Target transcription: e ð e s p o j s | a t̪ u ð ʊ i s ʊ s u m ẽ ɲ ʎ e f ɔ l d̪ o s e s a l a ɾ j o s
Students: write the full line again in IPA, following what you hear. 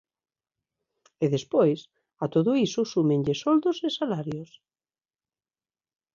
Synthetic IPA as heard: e ð e s p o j s | a t̪ o ð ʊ i s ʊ s u m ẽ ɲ ʎ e s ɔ l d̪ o s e s a l a ɾ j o s

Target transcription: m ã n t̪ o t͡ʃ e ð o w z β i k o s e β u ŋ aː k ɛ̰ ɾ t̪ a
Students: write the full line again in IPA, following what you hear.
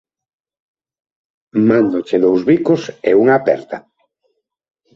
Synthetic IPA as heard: m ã n d̪ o t͡ʃ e ð o w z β i k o s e u ŋ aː p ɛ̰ ɾ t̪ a

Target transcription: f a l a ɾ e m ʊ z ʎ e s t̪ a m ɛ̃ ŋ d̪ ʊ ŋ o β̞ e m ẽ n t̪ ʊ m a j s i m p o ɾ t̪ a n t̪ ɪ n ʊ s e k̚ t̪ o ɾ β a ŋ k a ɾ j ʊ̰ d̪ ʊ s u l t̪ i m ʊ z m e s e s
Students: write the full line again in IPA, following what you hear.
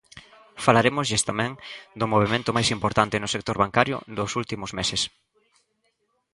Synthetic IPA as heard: f a l a ɾ e m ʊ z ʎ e s t̪ a m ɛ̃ ŋ d̪ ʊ m o β̞ e m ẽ n t̪ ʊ m a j s i m p o ɾ t̪ a n t̪ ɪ n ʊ s e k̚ t̪ o ɾ β a ŋ k a ɾ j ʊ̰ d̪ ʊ s u l t̪ i m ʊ z m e s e s

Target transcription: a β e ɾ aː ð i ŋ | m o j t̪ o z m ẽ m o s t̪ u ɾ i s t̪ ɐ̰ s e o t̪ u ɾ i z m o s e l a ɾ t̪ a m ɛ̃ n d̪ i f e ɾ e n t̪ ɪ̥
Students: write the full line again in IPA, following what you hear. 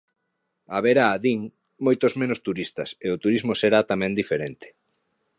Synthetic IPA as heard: a β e ɾ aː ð i ŋ | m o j t̪ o z m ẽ n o s t̪ u ɾ i s t̪ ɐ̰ s e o t̪ u ɾ i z m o s e ɾ a t̪ a m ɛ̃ n d̪ i f e ɾ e n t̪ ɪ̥

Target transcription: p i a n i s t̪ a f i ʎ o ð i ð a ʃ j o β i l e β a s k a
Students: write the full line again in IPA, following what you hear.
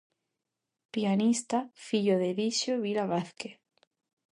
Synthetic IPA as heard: p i a n i s t̪ a f i ʎ o ð e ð i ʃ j o β i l a β a θ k e

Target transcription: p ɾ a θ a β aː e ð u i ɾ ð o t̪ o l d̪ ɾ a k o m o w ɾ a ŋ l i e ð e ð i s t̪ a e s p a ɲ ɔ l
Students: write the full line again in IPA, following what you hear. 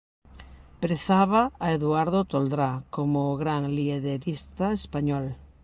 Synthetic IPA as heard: p ɾ e θ a β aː e ð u a ɾ ð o t̪ o l d̪ ɾ a k o m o ɣ ɾ a ŋ l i e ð e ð i s t̪ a e s p a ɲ ɔ l

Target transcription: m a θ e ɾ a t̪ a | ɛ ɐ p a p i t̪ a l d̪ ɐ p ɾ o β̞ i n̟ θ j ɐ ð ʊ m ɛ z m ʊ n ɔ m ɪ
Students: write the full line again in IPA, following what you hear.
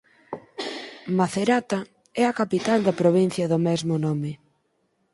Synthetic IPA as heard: m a θ e ɾ a t̪ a | ɛ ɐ k a p i t̪ a l d̪ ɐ p ɾ o β̞ i n̟ θ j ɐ ð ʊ m ɛ z m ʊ n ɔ m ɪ

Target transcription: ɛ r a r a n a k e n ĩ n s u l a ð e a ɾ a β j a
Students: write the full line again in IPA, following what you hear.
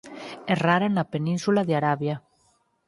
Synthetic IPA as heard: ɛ r a ɾ a n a p e n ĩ n s u l a ð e a ɾ a β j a

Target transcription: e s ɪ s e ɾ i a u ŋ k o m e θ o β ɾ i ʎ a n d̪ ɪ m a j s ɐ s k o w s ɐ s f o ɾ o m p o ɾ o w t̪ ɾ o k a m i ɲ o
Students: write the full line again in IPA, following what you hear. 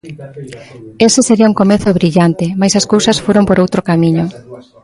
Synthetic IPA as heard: e s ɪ s e ɾ i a u ŋ k o m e θ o β ɾ i ʎ a n t̪ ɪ m a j s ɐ s k o w s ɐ s f o ɾ o m p o ɾ o w t̪ ɾ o k a m i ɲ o

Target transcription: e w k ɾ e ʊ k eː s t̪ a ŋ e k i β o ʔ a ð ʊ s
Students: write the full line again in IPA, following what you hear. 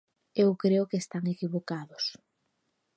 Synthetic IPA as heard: e w k ɾ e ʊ k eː s t̪ a ŋ e k i β o k a ð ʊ s

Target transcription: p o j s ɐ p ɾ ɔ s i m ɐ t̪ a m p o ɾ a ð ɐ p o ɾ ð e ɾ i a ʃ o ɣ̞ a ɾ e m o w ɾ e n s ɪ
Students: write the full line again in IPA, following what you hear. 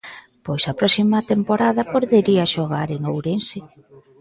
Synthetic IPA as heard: p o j s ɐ p ɾ ɔ s i m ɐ t̪ e m p o ɾ a ð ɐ p o ɾ ð e ɾ i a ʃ o ɣ̞ a ɾ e ŋ o w ɾ e n s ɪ

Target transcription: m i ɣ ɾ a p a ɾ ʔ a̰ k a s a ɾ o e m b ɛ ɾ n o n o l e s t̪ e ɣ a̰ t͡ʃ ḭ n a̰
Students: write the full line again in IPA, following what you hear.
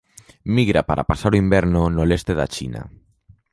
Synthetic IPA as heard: m i ɣ ɾ a p a ɾ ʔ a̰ p a s a ɾ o i m b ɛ ɾ n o n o l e s t̪ e ð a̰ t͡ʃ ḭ n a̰

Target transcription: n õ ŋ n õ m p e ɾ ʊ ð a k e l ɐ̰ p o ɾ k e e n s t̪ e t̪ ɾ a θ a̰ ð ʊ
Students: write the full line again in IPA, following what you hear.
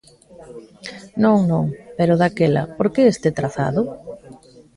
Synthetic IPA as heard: n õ ŋ n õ ŋ p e ɾ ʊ ð a k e l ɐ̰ p o ɾ k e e s t̪ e t̪ ɾ a θ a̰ ð ʊ

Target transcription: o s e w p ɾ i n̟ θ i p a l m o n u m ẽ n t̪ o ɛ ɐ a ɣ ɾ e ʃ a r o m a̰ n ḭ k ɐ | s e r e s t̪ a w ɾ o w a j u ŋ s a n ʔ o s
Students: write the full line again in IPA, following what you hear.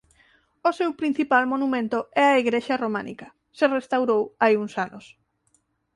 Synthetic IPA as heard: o s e w p ɾ i n̟ θ i p a l m o n u m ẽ n t̪ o ɛ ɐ i ɣ ɾ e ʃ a r o m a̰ n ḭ k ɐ | s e r e s t̪ a w ɾ o w a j u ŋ s a n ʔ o s

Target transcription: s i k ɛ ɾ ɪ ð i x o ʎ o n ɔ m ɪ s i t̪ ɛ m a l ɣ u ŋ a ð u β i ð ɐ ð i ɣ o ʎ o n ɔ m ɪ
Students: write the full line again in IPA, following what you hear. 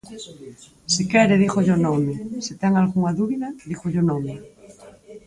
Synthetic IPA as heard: s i k ɛ ɾ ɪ ð i x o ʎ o n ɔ m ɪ s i t̪ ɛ ŋ a l ɣ u ŋ a ð u β i ð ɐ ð i x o ʎ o n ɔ m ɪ

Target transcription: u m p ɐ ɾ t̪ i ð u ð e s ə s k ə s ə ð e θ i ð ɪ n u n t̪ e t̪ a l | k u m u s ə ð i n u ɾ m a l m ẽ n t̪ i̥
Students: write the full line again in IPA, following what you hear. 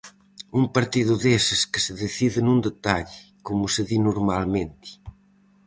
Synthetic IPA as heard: u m p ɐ ɾ t̪ i ð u ð e s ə s k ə s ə ð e θ i ð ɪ n u n d̪ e t̪ a ʎ | k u m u s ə ð i n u ɾ m a l m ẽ n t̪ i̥

